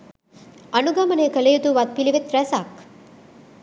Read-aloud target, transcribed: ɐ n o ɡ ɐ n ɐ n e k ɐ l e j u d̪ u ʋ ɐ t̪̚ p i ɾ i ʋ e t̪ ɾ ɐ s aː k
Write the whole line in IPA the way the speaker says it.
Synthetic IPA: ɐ n u ɡ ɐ m ɐ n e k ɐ l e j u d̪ u ʋ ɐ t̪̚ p i l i ʋ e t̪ ɾ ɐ s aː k